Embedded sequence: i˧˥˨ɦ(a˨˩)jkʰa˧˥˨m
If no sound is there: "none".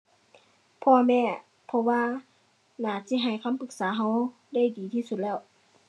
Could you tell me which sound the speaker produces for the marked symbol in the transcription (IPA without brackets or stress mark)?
a˨˩